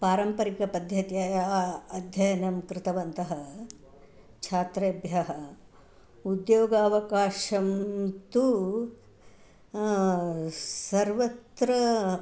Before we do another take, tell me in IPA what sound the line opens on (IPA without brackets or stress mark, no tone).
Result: p